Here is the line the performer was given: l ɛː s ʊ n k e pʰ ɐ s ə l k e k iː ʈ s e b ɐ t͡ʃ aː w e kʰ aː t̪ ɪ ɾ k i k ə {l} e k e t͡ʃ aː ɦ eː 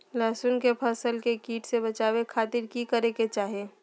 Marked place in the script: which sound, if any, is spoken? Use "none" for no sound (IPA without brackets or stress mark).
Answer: ɾ